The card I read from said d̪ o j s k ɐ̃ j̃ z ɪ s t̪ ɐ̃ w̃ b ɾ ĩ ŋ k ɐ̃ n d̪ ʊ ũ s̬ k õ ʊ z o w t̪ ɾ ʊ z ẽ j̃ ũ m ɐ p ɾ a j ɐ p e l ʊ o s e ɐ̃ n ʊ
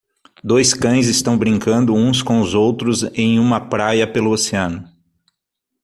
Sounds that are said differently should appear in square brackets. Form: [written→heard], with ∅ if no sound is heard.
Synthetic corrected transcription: d̪ o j s k ɐ̃ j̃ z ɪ s t̪ ɐ̃ w̃ b ɾ ĩ ŋ k ɐ̃ n d̪ ʊ ũ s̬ k õ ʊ z o w t̪ ɾ ʊ z ẽ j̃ ũ m ɐ p ɾ a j ɐ p e l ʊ o s e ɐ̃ n ʊ